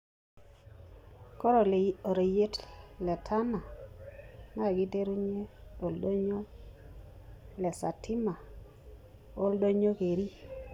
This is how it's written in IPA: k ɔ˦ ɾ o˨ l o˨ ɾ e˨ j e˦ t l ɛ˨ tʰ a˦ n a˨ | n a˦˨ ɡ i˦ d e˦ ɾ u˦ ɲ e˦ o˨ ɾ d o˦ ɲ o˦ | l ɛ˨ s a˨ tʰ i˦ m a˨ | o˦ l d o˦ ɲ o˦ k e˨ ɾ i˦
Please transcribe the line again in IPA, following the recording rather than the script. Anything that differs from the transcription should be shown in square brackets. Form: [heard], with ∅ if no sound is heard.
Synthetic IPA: k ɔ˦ ɾ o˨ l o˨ ɾ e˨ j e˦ t l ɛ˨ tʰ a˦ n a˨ | n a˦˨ ɡ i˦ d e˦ ɾ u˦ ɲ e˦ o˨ [l] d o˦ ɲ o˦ | l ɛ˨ s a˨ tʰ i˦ m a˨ | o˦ l d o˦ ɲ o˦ k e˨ ɾ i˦